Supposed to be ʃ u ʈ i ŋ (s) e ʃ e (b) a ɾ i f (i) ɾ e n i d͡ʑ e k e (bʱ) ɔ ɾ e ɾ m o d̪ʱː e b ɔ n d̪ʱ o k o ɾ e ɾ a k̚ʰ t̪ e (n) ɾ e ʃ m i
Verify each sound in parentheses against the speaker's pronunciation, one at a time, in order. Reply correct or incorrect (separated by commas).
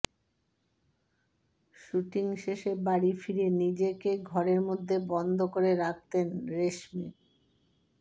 incorrect, correct, correct, incorrect, correct